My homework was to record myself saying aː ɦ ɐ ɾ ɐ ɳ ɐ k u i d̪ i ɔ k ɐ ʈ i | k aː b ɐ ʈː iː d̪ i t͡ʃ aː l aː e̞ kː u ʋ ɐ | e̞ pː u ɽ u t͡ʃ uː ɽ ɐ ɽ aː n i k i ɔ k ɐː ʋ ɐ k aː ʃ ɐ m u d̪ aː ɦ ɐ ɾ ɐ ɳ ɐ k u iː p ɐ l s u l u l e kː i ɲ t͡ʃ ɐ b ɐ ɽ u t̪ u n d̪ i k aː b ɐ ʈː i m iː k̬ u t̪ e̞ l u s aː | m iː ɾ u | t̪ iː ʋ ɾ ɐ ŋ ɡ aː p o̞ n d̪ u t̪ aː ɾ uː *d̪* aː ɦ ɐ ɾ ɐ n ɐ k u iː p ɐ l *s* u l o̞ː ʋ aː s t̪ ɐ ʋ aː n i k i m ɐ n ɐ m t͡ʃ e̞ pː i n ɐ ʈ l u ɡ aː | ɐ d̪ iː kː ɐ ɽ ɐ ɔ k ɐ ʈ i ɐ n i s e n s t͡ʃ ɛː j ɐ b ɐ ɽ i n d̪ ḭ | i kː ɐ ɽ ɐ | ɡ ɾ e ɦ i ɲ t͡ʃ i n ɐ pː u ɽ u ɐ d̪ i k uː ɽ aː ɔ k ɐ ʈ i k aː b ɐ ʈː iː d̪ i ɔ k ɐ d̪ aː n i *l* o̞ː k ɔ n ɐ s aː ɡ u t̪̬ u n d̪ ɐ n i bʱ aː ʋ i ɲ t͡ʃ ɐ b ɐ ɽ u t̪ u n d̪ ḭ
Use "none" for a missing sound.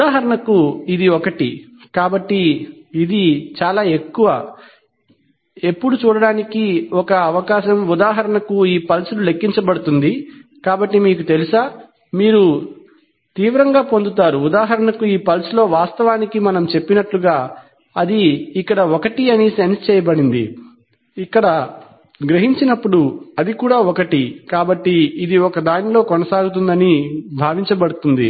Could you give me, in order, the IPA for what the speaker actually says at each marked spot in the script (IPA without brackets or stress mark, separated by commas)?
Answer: d̪, s, l